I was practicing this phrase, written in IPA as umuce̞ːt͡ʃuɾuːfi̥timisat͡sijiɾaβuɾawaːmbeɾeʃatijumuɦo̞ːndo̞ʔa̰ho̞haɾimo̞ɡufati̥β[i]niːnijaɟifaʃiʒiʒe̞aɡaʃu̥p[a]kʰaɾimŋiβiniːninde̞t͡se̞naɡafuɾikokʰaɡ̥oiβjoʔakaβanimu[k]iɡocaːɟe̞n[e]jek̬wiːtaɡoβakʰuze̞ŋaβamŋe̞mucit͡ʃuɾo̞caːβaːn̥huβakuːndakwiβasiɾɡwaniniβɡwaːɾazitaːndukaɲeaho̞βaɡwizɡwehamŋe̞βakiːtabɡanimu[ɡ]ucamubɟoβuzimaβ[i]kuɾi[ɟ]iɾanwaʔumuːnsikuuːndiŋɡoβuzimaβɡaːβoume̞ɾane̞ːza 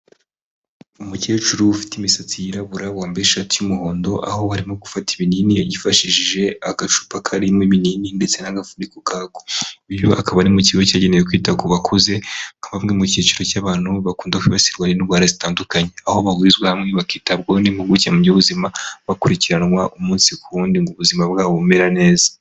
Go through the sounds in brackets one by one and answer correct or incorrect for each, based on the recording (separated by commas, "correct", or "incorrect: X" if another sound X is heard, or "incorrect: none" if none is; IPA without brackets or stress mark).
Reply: correct, correct, incorrect: c, correct, correct, incorrect: a, incorrect: c